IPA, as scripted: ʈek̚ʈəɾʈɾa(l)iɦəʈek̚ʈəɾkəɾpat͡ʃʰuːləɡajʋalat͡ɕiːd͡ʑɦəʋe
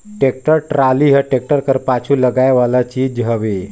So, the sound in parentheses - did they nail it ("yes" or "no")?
yes